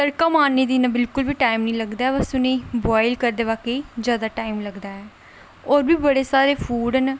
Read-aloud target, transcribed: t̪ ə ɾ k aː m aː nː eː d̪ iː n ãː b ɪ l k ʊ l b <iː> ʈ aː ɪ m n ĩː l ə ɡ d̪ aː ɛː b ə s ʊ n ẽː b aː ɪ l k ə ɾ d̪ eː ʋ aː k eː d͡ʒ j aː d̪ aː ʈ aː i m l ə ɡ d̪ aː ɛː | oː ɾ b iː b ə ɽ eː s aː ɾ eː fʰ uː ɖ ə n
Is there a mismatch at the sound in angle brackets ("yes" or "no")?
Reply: no